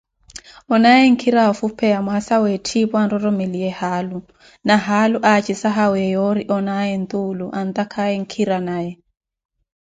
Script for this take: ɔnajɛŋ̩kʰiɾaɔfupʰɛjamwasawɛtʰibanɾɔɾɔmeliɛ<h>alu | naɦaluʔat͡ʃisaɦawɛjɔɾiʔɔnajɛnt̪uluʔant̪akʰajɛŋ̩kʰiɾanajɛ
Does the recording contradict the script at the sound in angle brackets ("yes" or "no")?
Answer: no